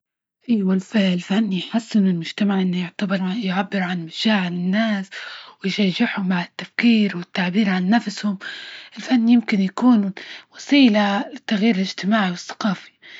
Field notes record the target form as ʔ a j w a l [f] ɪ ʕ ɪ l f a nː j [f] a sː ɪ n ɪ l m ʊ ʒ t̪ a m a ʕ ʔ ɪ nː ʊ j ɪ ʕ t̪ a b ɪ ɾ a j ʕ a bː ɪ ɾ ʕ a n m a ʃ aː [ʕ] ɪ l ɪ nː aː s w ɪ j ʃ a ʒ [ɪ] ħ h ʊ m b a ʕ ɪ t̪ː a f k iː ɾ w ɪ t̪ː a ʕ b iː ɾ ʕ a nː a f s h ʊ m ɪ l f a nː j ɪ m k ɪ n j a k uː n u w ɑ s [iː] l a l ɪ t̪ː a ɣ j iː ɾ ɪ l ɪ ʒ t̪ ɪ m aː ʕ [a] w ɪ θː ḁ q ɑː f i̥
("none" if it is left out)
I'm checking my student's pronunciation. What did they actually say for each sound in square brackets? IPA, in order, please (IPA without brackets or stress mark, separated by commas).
f, ħ, ʕ, ɪ, iː, i